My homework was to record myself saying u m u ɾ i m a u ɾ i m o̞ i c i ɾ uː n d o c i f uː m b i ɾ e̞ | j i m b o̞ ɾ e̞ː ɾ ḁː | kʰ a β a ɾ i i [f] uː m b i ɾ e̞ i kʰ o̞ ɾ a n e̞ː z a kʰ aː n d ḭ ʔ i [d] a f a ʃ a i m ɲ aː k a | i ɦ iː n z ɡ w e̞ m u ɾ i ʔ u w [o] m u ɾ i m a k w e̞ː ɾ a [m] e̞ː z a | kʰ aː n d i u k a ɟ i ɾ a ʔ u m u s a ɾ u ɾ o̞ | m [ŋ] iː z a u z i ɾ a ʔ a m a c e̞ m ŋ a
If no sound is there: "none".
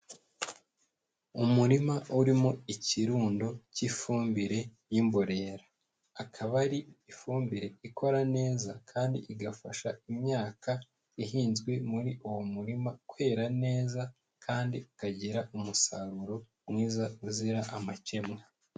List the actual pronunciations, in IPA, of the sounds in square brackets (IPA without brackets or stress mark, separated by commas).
f, ɡ, o, n, ŋ